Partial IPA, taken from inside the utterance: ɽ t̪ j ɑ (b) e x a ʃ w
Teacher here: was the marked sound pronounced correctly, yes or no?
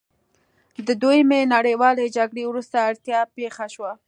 no